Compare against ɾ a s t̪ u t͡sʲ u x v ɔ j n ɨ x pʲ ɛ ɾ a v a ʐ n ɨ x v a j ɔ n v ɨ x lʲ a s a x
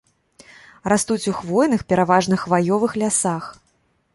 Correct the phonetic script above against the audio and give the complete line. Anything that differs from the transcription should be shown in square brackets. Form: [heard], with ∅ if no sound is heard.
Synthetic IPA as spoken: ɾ a s t̪ u t͡sʲ u x v ɔ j n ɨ x pʲ ɛ ɾ a v a ʐ n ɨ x v a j ɔ [∅] v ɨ x lʲ a s a x